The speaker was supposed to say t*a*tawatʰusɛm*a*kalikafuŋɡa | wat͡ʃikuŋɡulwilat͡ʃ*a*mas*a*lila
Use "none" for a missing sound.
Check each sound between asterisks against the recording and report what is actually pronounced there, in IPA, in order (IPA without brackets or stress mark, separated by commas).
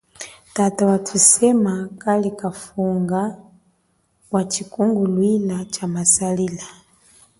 a, a, a, a